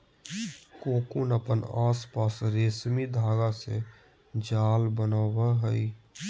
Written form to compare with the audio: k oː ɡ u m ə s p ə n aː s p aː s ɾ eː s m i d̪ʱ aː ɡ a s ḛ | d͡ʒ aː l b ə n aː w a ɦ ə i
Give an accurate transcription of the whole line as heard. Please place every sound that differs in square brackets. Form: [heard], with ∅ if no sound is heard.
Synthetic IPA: k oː [k] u [n] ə [∅] p ə n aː s p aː s ɾ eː s m i d̪ʱ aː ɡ a s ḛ | d͡ʒ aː l b ə n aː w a ɦ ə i